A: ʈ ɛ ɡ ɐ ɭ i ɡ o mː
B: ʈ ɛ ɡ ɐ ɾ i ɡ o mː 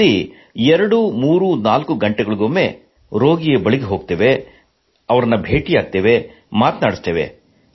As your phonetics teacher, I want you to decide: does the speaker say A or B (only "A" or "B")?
A